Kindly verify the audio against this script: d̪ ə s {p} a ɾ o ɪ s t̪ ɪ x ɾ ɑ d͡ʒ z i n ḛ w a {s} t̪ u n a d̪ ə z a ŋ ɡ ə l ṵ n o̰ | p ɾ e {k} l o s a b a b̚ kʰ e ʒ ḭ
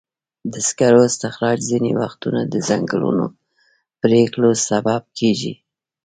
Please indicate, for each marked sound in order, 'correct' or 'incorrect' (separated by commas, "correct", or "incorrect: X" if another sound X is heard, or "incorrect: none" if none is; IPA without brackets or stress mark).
incorrect: k, incorrect: x, correct